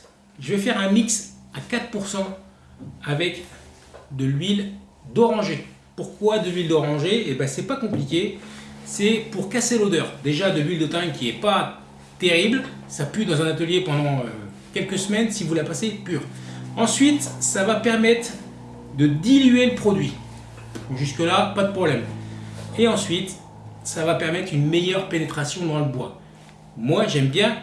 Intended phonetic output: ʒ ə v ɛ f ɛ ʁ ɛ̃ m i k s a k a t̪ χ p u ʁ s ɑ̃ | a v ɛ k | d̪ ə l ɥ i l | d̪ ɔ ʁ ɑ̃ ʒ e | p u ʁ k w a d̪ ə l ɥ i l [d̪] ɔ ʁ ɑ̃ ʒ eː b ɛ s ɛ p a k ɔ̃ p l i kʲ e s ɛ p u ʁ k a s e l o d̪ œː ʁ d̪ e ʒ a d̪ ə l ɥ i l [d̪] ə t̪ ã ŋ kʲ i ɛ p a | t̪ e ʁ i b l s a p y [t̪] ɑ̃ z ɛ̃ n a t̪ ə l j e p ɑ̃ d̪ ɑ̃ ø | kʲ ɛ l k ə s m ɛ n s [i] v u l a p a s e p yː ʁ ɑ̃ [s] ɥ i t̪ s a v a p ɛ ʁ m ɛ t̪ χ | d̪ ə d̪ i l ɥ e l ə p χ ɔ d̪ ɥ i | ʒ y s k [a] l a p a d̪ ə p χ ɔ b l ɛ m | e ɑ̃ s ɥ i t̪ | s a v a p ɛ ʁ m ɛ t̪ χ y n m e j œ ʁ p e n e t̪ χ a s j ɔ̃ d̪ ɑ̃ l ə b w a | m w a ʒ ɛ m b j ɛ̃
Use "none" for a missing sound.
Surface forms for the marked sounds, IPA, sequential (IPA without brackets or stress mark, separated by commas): d̪, d̪, d̪, i, s, ə